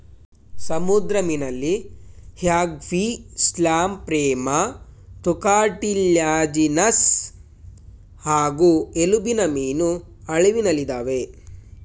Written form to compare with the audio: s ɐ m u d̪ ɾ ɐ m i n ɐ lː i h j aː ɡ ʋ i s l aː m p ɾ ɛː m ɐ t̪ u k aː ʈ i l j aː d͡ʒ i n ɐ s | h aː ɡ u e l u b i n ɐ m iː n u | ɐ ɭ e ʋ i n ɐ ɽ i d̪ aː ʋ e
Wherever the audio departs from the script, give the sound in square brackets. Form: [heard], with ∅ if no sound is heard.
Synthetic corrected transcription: s ɐ m u d̪ ɾ ɐ m i n ɐ lː i h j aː ɡ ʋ i s l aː m p ɾ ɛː m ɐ t̪ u k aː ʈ i l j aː d͡ʒ i n ɐ s | h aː ɡ u e l u b i n ɐ m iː n u | ɐ ɭ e ʋ i n ɐ [l] i d̪ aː ʋ e

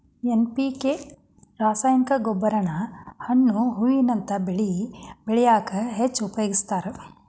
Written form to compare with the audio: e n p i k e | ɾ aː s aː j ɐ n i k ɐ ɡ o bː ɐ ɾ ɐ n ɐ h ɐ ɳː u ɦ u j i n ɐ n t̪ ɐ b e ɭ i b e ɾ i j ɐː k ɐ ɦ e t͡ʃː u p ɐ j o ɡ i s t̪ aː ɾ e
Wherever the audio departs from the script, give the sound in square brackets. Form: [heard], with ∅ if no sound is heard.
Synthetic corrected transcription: e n p i k e | ɾ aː s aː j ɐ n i k ɐ ɡ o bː ɐ ɾ ɐ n ɐ h ɐ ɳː u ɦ u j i n ɐ n t̪ ɐ b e ɭ i b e [ɭ] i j [aː] k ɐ ɦ e t͡ʃː u p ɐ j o ɡ i s t̪ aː ɾ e

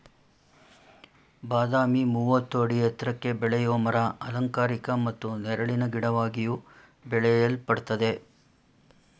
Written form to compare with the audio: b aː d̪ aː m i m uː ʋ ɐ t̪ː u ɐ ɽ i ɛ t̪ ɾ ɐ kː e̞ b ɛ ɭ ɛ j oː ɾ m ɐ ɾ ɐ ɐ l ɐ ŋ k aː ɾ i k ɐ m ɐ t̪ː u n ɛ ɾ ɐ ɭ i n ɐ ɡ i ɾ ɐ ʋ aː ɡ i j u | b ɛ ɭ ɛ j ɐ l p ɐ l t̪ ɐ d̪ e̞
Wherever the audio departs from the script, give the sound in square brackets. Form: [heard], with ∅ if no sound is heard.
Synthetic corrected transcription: b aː d̪ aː m i m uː ʋ ɐ t̪ː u ɐ ɽ i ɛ t̪ ɾ ɐ kː e̞ b ɛ ɭ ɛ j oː [∅] m ɐ ɾ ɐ ɐ l ɐ ŋ k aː ɾ i k ɐ m ɐ t̪ː u n ɛ ɾ ɐ ɭ i n ɐ ɡ i [ɽ] ɐ ʋ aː ɡ i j u | b ɛ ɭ ɛ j ɐ l p ɐ [ɽ] t̪ ɐ d̪ e̞

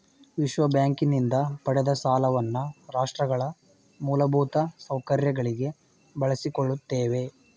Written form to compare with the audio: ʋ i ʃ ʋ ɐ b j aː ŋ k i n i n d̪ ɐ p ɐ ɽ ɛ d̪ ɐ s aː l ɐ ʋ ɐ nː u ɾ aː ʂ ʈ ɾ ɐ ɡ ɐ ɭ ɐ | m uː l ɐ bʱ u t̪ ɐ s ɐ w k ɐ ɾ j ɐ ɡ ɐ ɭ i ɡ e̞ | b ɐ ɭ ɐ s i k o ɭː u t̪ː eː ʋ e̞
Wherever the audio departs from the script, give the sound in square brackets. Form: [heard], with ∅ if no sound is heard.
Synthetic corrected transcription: ʋ i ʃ ʋ ɐ b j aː ŋ k i n i n d̪ ɐ p ɐ ɽ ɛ d̪ ɐ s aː l ɐ ʋ ɐ nː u ɾ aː ʂ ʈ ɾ ɐ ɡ ɐ ɭ ɐ | m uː l ɐ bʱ [uː] t̪ ɐ s ɐ w k ɐ ɾ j ɐ ɡ ɐ ɭ i ɡ e̞ | b ɐ ɭ ɐ s i k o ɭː u t̪ː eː ʋ e̞

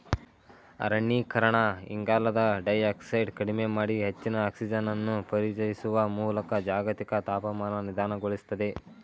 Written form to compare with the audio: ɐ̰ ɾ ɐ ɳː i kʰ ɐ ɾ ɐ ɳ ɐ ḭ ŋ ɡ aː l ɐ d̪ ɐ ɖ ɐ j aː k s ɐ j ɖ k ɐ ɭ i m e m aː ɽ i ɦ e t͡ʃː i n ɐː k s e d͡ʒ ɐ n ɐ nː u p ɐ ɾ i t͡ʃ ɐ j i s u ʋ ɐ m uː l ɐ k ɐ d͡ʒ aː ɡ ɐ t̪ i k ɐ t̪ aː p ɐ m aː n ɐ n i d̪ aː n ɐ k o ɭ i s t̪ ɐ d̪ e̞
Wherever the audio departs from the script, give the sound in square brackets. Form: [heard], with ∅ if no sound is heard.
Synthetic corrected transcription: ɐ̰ ɾ ɐ ɳː i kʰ ɐ ɾ ɐ ɳ ɐ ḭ ŋ ɡ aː l ɐ d̪ ɐ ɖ ɐ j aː k s ɐ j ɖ k ɐ [ɽ] i m e m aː ɽ i ɦ e t͡ʃː i n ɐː k s [i] d͡ʒ ɐ n ɐ nː u p ɐ ɾ i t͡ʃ ɐ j i s u ʋ ɐ m uː l ɐ k ɐ d͡ʒ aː ɡ ɐ t̪ i k ɐ t̪ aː p ɐ m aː n ɐ n i d̪ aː n ɐ [ɡ] o ɭ i s t̪ ɐ d̪ e̞

